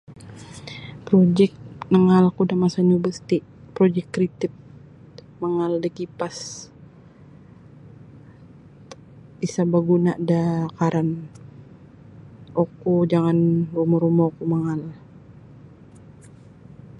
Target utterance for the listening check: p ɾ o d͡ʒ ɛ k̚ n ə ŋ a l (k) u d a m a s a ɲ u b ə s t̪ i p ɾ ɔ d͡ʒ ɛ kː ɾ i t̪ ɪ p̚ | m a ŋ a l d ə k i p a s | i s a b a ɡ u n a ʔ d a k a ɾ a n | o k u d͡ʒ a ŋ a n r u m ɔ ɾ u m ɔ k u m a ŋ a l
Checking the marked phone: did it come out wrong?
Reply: no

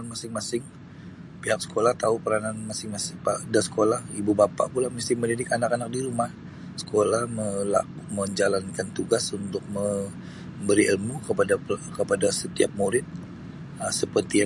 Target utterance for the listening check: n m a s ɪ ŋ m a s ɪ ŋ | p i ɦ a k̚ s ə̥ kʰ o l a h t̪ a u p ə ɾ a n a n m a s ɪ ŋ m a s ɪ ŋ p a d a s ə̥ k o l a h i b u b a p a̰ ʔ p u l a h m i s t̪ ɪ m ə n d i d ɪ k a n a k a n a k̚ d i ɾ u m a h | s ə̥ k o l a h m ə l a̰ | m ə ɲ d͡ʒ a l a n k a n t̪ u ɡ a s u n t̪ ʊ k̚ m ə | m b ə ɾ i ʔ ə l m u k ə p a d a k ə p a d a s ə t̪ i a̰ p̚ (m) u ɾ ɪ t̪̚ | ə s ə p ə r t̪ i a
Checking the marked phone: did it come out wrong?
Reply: no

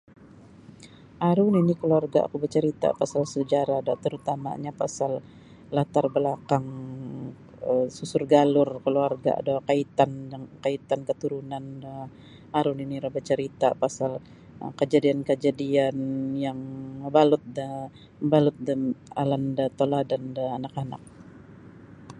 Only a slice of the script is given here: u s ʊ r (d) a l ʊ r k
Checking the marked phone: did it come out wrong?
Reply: yes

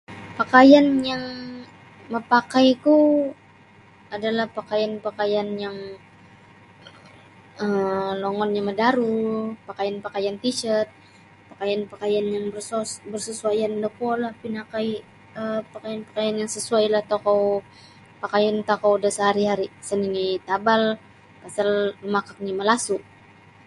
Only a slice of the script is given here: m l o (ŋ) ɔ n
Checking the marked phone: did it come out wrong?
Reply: no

